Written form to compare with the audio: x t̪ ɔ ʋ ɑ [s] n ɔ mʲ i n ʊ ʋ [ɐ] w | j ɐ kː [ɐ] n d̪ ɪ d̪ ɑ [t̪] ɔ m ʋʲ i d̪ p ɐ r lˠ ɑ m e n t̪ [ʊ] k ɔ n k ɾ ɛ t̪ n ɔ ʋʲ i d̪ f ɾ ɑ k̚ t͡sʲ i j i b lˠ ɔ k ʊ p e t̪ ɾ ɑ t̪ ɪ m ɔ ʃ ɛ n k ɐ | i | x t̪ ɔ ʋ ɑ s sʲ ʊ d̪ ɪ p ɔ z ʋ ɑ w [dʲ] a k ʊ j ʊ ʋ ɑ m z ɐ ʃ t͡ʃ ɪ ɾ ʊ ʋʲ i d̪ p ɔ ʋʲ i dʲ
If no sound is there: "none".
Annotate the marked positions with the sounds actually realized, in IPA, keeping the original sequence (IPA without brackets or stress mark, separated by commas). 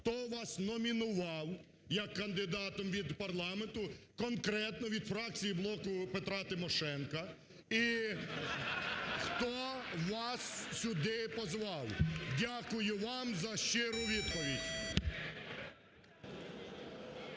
s, ɑ, ɐ, t̪, ʊ, dʲ